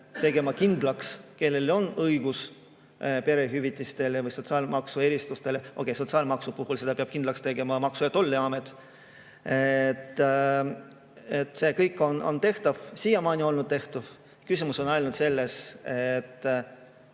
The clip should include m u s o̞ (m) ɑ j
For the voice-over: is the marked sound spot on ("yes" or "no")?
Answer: no